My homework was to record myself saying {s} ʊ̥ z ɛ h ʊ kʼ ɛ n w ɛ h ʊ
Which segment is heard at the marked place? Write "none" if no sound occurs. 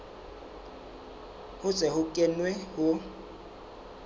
h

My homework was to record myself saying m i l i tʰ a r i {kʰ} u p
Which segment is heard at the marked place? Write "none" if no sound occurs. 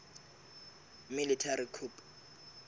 kʰ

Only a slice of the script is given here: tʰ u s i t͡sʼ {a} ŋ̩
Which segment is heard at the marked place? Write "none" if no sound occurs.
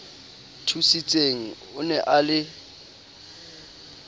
e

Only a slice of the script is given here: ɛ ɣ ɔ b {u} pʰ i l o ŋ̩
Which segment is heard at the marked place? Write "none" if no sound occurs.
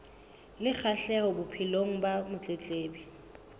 ʊ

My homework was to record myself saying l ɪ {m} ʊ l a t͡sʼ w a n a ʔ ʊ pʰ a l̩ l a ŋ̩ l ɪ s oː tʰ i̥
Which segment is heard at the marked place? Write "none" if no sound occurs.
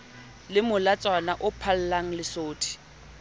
m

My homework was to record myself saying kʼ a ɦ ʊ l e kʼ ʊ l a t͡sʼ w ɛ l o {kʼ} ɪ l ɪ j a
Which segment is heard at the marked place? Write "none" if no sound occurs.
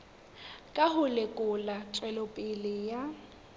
pʼ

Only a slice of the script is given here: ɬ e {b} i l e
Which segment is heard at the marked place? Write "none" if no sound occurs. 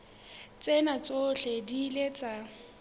d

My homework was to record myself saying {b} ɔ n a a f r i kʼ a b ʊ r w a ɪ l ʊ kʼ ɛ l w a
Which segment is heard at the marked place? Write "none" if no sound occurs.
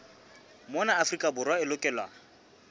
m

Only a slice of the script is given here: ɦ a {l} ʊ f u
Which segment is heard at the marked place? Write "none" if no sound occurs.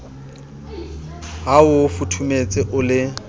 none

